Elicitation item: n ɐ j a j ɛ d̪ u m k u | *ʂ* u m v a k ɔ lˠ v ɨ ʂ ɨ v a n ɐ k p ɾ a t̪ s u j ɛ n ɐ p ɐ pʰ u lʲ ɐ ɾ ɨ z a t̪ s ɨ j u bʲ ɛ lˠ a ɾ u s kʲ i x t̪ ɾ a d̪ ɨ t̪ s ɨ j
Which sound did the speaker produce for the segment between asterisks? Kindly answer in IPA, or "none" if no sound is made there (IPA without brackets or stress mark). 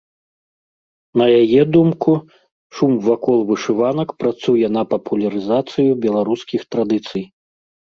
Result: ʂ